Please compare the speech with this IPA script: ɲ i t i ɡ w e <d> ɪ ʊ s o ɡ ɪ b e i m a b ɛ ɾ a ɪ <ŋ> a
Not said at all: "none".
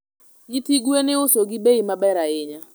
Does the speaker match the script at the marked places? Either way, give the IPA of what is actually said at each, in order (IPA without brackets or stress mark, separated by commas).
n, ɲ